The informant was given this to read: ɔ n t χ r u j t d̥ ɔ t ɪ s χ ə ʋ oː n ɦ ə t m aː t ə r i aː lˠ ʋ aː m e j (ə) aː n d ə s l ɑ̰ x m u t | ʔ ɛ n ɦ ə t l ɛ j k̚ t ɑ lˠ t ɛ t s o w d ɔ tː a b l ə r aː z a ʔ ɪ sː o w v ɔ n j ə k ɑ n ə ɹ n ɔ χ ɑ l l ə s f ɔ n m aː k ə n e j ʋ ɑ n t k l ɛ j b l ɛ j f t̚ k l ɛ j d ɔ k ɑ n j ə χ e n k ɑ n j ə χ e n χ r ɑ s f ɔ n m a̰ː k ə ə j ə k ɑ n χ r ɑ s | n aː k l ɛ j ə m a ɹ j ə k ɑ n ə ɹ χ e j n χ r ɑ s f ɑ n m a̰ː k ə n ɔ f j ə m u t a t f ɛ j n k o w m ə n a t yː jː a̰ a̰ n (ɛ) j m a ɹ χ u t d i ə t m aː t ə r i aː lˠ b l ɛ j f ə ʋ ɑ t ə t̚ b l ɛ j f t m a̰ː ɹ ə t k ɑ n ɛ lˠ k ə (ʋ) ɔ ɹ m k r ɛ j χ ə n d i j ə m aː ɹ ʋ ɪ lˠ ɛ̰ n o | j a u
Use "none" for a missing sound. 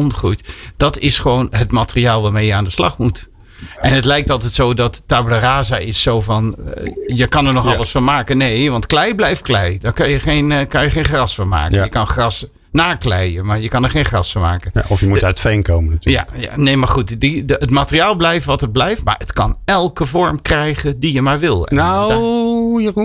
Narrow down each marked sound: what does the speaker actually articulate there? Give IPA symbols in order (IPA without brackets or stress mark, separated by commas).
ə, e, v